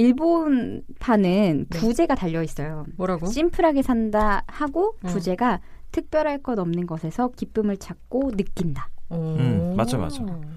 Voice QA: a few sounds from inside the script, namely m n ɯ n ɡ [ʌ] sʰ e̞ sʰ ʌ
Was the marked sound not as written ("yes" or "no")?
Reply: no